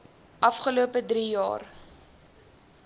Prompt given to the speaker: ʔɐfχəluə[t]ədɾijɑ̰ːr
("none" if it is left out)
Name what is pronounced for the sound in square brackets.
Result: p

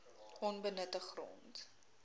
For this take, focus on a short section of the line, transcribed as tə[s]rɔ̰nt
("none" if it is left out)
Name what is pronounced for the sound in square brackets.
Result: χ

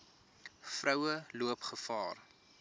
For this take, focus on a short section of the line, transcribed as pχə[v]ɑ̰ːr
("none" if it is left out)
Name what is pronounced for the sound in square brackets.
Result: f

